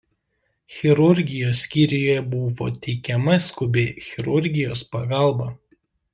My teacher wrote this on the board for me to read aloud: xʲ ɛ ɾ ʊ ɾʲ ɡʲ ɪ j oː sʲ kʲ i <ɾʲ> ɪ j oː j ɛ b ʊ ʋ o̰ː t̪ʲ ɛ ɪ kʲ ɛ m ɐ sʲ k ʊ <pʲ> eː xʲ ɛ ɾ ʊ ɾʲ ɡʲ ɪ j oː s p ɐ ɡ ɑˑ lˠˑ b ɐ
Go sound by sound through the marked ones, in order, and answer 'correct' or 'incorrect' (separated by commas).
correct, incorrect